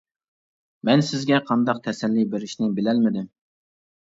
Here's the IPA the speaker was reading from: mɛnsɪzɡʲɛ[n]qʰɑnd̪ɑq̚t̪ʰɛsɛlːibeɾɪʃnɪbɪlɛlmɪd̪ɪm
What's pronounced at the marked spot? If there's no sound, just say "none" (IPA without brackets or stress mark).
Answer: none